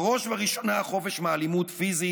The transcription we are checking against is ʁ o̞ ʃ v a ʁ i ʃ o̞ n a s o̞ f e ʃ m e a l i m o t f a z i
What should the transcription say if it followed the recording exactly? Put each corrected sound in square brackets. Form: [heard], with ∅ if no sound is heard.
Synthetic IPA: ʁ o̞ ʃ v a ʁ i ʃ o̞ n a [χ] o̞ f e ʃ m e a l i m [u] t f [i] z i